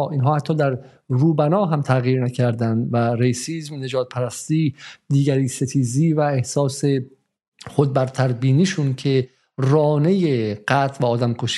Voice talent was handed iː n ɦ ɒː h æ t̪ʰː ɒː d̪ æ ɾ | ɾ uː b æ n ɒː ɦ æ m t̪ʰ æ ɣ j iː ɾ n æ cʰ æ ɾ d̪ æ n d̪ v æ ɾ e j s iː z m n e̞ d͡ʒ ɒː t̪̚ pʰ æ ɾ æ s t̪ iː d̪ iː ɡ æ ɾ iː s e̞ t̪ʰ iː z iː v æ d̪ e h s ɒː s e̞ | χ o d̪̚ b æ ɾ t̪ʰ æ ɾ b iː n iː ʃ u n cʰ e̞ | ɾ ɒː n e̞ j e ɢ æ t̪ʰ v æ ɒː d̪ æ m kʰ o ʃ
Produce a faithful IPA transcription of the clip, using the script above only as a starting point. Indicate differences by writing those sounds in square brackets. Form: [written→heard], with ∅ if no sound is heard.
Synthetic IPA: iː n ɦ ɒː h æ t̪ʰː ɒː d̪ æ ɾ | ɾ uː b æ n ɒː ɦ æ m t̪ʰ æ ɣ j iː ɾ n æ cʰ æ ɾ d̪ æ n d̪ v æ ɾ e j s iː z m n e̞ d͡ʒ ɒː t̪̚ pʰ æ ɾ æ s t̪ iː d̪ iː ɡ æ ɾ iː s e̞ t̪ʰ iː z iː v æ [d̪→∅] e h s ɒː s e̞ | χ o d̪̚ b æ ɾ t̪ʰ æ ɾ b iː n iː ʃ u n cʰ e̞ | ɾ ɒː n e̞ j e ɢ æ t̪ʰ v æ ɒː d̪ æ m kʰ o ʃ